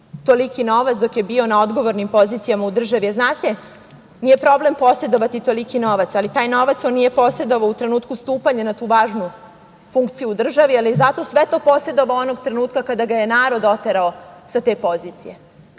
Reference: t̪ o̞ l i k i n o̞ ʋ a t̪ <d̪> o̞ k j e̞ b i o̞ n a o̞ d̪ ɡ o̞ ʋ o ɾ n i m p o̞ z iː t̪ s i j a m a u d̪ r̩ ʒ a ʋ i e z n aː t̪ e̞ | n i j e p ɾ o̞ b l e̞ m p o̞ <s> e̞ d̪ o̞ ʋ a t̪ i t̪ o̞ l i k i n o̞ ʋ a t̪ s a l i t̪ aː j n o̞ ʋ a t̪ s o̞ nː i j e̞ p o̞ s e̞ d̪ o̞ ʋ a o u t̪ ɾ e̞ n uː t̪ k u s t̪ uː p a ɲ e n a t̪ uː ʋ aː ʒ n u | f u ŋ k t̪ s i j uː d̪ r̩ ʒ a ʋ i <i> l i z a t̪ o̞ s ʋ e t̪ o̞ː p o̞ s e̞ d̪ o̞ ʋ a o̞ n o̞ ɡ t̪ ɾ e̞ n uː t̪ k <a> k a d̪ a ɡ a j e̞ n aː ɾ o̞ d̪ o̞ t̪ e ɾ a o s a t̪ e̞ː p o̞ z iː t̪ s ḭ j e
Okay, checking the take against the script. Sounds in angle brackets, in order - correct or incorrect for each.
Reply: correct, correct, incorrect, correct

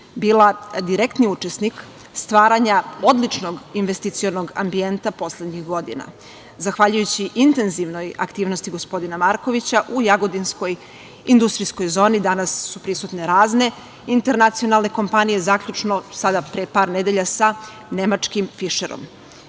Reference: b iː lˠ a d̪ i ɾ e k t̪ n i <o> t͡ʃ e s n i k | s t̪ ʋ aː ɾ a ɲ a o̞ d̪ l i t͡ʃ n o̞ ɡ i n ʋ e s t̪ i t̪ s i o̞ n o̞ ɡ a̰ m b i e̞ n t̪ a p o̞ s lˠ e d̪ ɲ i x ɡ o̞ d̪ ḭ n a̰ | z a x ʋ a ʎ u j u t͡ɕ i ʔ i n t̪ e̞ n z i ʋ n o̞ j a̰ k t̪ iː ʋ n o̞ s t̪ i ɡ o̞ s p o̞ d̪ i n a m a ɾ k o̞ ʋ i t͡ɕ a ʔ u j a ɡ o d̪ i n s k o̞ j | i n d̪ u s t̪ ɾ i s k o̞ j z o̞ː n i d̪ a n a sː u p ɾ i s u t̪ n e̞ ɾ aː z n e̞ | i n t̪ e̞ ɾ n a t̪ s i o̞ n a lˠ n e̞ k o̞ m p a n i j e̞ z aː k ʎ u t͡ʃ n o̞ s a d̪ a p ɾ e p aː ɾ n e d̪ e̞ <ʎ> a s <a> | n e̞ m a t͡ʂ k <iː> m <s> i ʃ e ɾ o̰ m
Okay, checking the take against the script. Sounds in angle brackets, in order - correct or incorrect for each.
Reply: incorrect, correct, correct, incorrect, incorrect

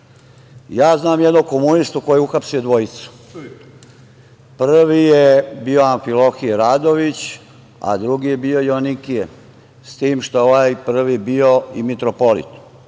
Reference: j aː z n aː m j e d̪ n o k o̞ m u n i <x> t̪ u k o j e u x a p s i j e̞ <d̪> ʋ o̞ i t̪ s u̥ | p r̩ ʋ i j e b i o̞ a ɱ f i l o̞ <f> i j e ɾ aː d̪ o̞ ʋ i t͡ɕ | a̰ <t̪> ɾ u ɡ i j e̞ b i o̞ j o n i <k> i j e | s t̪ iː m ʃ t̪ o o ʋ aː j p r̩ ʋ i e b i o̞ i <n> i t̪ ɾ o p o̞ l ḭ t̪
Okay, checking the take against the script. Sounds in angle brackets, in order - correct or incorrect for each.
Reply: incorrect, correct, incorrect, incorrect, correct, incorrect

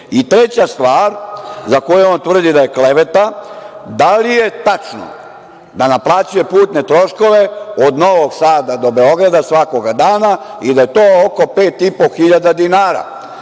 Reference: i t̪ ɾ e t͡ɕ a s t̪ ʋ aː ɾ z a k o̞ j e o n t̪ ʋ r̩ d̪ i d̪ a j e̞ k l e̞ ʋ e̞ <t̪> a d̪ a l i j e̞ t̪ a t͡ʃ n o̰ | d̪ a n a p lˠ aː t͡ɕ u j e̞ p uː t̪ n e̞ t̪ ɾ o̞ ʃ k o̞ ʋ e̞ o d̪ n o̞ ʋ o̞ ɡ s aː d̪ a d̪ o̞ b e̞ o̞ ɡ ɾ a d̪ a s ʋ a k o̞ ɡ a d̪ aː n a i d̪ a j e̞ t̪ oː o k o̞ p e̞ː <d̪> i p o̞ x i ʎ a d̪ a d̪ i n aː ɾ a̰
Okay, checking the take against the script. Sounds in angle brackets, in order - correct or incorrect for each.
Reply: correct, incorrect

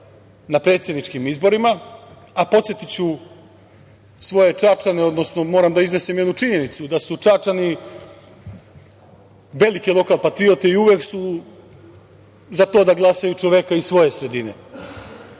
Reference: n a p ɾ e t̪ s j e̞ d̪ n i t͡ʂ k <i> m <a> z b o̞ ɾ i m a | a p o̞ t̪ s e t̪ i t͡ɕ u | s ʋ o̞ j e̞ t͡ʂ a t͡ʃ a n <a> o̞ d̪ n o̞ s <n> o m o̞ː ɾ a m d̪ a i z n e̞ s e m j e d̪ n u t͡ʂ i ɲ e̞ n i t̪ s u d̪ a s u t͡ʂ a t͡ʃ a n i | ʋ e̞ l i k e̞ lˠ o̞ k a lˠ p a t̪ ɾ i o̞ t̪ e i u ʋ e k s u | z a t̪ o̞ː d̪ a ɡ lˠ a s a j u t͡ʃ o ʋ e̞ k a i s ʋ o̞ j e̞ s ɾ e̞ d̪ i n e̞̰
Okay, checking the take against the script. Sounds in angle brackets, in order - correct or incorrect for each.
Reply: correct, incorrect, incorrect, correct

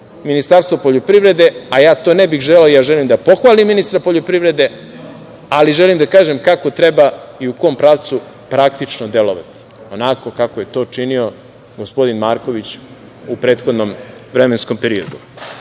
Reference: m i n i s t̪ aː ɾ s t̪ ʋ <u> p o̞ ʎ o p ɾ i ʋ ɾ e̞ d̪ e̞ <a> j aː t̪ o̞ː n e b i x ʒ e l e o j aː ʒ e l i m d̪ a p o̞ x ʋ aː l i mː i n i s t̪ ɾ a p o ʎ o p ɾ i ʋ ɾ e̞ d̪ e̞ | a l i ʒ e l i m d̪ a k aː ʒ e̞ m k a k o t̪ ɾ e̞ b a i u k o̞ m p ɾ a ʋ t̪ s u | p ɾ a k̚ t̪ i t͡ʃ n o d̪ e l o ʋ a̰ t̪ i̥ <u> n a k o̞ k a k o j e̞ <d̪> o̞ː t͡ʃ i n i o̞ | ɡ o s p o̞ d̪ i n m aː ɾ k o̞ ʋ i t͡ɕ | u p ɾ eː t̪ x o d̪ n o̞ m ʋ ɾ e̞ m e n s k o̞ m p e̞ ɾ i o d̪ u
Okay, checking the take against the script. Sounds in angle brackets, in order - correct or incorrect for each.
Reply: incorrect, correct, incorrect, incorrect

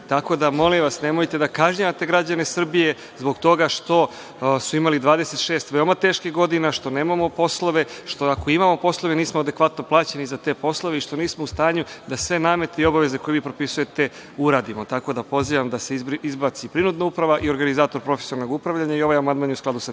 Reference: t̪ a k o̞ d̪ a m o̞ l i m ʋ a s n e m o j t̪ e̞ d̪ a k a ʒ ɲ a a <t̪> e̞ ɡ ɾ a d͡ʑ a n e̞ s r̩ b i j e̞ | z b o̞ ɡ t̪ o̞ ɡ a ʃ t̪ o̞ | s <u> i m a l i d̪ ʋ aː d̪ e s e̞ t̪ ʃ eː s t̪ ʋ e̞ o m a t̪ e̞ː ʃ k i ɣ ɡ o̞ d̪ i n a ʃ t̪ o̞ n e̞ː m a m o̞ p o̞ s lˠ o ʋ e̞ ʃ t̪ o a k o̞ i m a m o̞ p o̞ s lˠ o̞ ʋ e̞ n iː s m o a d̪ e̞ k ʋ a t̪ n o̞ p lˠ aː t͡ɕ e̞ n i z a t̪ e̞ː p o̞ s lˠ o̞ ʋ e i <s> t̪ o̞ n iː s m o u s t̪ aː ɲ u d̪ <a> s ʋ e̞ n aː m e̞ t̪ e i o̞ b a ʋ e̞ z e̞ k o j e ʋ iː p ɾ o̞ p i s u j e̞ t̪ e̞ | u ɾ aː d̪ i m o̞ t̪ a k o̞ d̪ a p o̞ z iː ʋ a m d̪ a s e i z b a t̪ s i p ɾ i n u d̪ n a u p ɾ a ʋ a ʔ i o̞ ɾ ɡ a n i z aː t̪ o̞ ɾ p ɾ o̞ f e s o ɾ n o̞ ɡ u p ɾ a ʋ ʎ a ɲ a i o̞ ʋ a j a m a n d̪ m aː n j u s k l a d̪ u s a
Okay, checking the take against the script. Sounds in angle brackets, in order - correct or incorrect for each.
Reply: correct, correct, incorrect, correct

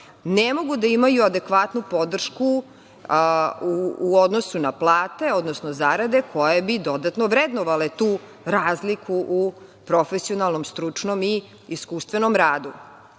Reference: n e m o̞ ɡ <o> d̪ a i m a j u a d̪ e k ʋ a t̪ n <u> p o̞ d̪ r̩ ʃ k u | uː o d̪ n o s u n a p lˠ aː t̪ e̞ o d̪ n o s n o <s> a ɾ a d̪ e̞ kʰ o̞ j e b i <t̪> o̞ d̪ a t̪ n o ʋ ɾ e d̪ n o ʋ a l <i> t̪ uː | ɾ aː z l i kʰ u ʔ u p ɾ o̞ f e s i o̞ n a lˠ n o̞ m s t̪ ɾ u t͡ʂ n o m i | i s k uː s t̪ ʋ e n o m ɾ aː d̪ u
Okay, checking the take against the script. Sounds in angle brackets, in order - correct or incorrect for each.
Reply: incorrect, correct, incorrect, incorrect, incorrect

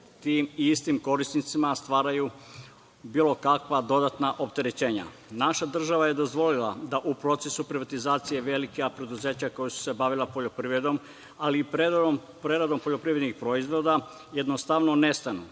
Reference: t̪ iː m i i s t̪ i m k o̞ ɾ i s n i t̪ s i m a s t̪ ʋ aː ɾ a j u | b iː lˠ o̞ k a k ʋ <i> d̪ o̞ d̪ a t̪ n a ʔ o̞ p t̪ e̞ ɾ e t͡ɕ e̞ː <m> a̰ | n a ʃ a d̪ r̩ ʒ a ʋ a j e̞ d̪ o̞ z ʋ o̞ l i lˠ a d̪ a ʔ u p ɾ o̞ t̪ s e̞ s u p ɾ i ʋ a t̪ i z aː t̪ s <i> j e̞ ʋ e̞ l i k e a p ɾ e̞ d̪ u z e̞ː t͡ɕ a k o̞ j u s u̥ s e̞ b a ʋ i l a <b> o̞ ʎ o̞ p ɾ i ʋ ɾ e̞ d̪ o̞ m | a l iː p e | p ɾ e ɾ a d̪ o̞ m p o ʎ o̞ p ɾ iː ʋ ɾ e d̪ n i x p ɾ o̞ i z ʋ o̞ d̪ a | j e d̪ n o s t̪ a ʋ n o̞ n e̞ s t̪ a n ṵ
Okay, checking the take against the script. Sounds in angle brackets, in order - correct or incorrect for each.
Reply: incorrect, incorrect, correct, incorrect

